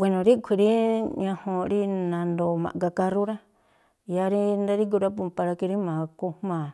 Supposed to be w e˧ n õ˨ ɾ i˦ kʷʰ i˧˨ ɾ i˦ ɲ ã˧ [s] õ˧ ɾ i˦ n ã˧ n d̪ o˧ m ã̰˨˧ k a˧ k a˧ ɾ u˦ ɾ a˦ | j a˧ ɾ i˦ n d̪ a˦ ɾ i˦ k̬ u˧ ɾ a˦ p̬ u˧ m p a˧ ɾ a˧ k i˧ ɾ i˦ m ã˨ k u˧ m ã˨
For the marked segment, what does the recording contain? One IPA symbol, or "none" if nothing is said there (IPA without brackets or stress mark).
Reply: h